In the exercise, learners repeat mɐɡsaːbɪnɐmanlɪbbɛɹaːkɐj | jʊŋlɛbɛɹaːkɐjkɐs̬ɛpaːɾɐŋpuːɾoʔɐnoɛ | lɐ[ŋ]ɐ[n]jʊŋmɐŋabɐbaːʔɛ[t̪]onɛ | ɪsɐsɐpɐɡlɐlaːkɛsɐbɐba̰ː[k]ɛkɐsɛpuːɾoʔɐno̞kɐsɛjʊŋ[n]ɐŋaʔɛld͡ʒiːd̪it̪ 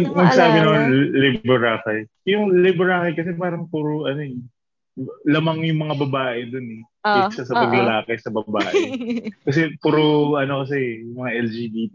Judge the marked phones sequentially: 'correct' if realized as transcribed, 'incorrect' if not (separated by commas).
incorrect, incorrect, incorrect, incorrect, incorrect